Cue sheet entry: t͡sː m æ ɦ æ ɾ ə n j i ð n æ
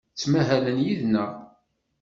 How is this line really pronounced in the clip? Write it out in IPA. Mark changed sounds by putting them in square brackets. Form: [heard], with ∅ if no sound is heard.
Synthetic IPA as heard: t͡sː m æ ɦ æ [l] ə n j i ð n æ